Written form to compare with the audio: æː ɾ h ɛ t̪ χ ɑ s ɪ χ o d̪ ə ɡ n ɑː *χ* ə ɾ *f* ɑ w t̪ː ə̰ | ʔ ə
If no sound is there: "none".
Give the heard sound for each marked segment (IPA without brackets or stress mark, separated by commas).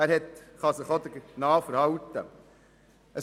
f, h